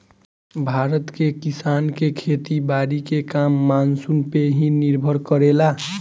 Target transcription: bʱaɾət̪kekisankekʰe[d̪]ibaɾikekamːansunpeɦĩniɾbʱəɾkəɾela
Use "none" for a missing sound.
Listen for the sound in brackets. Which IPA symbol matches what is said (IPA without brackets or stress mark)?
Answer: t̪